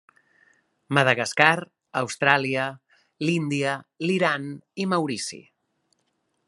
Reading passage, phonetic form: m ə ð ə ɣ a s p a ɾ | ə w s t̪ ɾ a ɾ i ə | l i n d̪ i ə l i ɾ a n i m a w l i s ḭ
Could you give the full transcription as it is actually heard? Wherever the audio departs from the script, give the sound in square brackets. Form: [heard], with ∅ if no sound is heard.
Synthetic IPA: m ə ð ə ɣ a s [k] a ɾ | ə w s t̪ ɾ a [l] i ə | l i n d̪ i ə l i ɾ a n i m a w [ɾ] i s ḭ